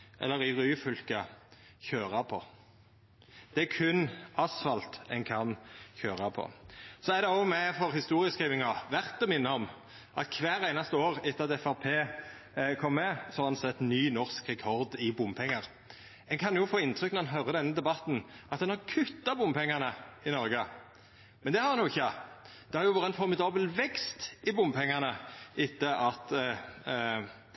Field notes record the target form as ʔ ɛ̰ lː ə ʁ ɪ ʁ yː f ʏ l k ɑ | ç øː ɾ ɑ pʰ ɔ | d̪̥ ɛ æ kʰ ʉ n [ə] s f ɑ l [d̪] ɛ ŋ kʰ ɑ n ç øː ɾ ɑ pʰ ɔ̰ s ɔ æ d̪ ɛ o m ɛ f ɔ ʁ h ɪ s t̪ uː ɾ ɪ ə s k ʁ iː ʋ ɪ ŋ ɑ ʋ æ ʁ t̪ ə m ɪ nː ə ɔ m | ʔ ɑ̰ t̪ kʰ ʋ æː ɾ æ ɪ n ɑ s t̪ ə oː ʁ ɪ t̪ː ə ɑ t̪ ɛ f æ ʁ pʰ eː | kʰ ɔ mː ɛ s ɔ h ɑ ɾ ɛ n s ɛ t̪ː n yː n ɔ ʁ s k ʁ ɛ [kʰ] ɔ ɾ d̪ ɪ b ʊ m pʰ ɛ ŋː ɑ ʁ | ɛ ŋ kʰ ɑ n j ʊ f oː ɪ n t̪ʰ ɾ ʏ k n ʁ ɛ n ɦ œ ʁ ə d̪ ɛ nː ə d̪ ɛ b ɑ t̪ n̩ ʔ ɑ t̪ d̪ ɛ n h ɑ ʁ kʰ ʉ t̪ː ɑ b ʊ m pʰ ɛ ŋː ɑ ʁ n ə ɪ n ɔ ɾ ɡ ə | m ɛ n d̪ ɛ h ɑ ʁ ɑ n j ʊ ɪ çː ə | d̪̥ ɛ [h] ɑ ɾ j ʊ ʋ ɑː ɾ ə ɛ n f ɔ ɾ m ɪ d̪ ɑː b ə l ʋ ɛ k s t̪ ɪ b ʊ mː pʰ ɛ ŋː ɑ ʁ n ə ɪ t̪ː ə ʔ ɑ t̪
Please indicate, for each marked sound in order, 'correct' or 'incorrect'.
incorrect: ɑ, incorrect: t̪, correct, correct

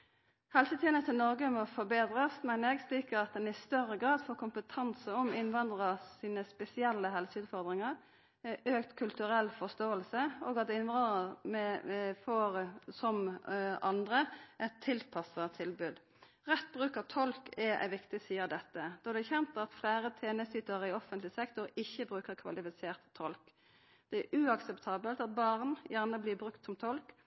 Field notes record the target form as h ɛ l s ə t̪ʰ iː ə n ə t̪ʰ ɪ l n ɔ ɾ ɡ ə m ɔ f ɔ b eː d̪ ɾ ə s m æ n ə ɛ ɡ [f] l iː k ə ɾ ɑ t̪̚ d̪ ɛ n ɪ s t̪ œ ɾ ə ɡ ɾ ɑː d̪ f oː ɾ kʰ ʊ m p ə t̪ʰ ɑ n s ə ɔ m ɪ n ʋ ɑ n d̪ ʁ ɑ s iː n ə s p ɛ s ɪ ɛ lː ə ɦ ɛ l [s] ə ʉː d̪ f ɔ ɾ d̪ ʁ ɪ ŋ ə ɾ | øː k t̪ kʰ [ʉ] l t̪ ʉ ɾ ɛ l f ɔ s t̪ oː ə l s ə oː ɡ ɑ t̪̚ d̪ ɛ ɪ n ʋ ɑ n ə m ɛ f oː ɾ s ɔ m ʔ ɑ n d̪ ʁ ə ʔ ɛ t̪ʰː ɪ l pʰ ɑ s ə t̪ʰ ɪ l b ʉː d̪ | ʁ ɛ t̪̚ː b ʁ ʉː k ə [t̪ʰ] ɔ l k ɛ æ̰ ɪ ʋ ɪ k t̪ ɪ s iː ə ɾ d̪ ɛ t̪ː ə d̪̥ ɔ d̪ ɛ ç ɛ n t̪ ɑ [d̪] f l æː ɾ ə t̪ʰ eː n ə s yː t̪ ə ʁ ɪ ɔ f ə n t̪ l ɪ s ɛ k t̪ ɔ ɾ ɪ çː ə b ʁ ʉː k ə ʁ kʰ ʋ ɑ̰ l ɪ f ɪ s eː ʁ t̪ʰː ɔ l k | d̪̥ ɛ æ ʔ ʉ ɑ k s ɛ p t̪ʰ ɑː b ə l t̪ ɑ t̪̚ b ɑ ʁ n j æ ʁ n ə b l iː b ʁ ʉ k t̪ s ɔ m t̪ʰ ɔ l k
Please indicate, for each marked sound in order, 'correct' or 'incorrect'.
incorrect: s, correct, correct, correct, incorrect: t̪

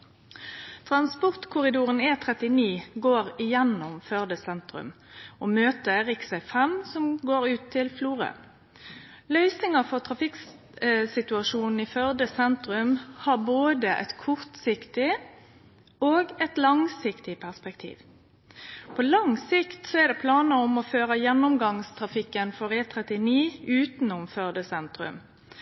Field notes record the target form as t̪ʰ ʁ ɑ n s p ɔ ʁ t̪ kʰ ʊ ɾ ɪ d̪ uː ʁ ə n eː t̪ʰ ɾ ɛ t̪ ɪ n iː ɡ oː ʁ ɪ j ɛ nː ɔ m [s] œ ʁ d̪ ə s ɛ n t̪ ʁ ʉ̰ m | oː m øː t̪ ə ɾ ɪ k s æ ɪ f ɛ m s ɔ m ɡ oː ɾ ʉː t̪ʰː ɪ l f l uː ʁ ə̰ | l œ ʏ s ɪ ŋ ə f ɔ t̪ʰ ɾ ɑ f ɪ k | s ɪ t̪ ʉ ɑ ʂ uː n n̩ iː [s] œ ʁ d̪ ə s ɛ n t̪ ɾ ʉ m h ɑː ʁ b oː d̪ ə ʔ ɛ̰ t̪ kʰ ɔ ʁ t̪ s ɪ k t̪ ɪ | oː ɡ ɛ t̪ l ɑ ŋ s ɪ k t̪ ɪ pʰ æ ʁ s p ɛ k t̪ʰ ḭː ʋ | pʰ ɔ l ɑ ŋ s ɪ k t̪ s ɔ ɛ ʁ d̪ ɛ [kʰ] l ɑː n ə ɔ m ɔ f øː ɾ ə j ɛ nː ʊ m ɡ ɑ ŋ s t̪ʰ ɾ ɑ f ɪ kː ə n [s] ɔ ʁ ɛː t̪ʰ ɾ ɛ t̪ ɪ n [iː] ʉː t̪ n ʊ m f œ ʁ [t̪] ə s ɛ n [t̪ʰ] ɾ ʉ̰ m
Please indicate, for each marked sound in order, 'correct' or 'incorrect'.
incorrect: f, incorrect: f, incorrect: pʰ, incorrect: f, correct, incorrect: d̪, incorrect: t̪

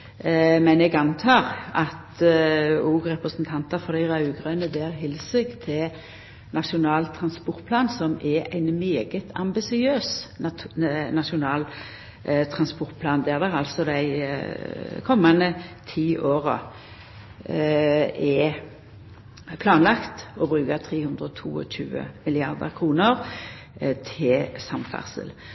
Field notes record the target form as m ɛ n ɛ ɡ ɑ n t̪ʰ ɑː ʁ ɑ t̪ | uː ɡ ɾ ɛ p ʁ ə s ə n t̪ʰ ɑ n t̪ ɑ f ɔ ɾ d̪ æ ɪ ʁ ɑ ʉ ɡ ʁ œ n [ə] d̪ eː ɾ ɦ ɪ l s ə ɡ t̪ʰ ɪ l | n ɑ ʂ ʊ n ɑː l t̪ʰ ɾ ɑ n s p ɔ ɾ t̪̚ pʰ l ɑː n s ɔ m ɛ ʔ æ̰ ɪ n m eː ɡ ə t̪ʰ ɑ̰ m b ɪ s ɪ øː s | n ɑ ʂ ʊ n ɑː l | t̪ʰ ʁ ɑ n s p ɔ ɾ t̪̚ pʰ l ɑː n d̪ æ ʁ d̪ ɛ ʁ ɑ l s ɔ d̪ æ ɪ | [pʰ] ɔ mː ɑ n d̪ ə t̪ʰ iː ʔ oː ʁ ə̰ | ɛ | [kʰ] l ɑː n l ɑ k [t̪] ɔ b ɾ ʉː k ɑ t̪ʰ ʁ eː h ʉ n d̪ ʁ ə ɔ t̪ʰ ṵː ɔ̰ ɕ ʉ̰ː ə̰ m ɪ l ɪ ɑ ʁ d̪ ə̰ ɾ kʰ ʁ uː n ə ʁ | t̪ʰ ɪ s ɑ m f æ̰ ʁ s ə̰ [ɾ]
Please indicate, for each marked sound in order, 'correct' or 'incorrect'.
correct, incorrect: kʰ, incorrect: pʰ, correct, incorrect: l

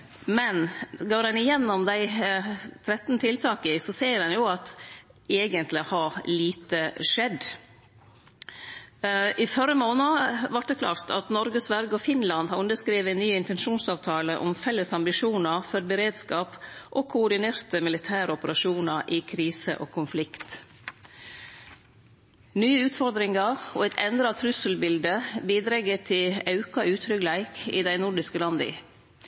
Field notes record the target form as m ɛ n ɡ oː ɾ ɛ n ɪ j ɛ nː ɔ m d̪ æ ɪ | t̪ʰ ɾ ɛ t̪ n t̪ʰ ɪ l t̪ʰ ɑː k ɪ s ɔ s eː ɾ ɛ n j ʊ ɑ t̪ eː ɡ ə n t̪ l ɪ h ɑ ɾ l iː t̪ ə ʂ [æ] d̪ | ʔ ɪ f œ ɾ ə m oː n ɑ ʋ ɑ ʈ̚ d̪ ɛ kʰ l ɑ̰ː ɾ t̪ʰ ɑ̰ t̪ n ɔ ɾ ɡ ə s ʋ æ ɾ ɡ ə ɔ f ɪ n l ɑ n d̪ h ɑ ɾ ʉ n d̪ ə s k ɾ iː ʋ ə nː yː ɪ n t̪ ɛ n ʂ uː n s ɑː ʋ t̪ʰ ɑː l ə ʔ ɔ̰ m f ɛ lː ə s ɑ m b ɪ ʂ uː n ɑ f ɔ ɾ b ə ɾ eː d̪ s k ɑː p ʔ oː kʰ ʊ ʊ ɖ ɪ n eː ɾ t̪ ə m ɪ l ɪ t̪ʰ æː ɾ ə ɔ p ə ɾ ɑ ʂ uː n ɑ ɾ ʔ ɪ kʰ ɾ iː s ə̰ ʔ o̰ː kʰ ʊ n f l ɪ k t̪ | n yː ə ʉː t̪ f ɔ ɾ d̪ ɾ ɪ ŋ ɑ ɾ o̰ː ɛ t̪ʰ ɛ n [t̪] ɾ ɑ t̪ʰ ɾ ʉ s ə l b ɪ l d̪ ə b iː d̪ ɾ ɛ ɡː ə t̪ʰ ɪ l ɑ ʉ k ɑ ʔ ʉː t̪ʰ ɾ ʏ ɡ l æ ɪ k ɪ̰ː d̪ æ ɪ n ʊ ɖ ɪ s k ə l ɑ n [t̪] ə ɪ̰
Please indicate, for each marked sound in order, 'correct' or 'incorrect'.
incorrect: ɛ, incorrect: d̪, incorrect: d̪

